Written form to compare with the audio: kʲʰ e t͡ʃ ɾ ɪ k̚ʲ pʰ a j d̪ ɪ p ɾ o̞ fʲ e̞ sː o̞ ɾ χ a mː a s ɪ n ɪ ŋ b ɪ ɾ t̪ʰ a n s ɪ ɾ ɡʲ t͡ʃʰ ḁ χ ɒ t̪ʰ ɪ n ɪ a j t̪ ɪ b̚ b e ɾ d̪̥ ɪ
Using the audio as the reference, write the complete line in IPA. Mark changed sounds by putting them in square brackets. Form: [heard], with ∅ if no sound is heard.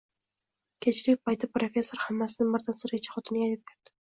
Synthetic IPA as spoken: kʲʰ e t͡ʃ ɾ ɪ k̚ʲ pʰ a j [t̪] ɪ p ɾ o̞ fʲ e̞ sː o̞ ɾ [h] a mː a s ɪ n ɪ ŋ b ɪ ɾ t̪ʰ a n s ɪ ɾ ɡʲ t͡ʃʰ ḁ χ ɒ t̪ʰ ɪ n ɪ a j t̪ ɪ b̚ b e ɾ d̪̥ ɪ